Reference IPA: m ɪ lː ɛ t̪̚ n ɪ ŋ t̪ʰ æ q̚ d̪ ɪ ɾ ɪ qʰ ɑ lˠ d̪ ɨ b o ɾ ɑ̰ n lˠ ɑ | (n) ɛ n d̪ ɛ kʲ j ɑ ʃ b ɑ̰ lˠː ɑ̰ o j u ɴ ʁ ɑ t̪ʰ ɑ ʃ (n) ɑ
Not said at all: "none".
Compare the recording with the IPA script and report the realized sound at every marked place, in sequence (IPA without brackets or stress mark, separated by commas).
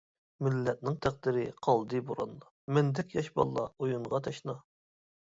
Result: m, n